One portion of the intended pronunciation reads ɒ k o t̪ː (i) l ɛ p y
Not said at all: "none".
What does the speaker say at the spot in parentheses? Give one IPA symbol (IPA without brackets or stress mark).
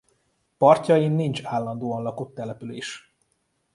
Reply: ɛ